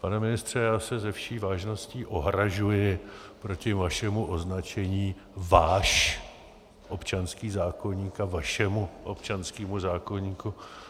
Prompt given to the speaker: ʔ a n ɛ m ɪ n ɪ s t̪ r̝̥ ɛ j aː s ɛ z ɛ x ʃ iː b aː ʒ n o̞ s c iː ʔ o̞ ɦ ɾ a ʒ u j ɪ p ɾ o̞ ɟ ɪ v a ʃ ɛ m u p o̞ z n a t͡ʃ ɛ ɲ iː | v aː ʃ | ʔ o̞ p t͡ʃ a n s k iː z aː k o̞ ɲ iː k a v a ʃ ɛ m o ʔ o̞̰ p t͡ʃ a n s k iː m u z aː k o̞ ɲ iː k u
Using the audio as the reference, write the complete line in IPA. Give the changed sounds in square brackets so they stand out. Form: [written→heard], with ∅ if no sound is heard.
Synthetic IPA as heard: [ʔ→p] a n ɛ m ɪ n ɪ s t̪ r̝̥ ɛ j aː s ɛ z ɛ [x→f] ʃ iː [b→v] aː ʒ n o̞ s c iː ʔ o̞ ɦ ɾ a ʒ u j ɪ p ɾ o̞ [ɟ→c] ɪ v a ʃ ɛ m u [p→ʔ] o̞ z n a t͡ʃ ɛ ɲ iː | v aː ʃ | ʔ o̞ p t͡ʃ a n s k iː z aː k o̞ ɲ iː k a v a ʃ ɛ m [o→u] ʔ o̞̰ p t͡ʃ a n s k iː m u z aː k o̞ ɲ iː k u